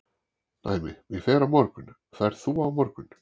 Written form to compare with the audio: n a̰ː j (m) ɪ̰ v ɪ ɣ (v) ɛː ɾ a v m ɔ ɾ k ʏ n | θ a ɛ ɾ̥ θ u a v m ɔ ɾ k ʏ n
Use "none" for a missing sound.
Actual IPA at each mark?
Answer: m, f

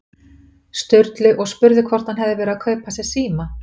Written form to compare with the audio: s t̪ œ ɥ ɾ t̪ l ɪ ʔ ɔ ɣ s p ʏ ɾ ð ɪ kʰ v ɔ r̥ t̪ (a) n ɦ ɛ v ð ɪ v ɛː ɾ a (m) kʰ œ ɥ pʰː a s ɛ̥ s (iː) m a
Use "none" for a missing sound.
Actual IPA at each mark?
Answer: a, none, iː

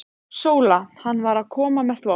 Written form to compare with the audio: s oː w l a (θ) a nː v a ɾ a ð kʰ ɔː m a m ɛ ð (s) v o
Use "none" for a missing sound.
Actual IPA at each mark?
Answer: h, θ

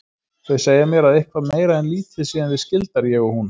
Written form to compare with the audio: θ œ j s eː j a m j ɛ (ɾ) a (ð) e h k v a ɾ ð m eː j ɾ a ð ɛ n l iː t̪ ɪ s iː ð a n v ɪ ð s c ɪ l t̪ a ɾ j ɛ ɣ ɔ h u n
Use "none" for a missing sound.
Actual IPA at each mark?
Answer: ɾ, ð

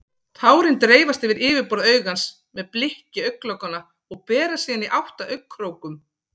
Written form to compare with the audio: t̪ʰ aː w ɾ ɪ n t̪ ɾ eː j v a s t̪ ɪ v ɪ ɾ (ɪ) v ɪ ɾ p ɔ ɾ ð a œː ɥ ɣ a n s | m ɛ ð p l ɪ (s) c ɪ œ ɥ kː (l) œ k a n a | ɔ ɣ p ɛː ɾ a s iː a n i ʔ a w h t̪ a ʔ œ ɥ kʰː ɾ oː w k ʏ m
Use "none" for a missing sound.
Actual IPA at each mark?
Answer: ɪː, h, l

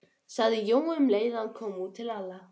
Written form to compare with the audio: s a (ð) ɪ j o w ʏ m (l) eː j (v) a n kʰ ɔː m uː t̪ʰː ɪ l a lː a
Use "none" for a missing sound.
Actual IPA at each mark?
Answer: ð, l, ð

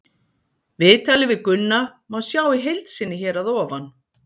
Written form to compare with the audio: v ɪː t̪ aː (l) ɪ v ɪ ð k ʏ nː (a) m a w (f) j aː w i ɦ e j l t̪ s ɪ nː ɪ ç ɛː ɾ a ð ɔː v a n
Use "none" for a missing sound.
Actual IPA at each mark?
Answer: l, a, s

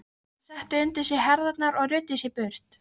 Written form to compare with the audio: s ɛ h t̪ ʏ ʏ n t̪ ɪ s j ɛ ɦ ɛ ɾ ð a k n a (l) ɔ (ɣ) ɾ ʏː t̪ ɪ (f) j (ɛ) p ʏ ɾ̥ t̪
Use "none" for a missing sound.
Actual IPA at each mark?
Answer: ɾ, ɣ, s, ɛ

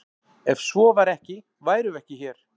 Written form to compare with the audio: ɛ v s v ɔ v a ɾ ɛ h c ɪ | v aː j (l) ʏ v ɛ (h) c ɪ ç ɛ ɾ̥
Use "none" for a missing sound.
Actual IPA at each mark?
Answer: ɾ, h

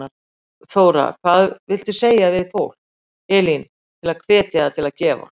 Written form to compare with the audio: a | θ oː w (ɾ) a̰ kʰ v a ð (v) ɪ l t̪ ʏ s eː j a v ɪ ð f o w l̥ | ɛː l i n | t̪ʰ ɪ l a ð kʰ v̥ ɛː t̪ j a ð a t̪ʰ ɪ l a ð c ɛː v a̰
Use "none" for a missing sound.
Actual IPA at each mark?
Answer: ɾ, v

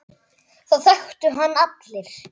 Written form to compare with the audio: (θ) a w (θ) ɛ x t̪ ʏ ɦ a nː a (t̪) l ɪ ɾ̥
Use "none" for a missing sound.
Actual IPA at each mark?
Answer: θ, θ, t̪

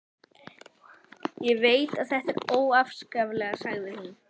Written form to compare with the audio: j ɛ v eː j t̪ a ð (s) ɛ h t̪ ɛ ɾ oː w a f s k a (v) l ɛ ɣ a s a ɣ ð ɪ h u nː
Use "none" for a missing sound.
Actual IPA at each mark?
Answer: θ, v

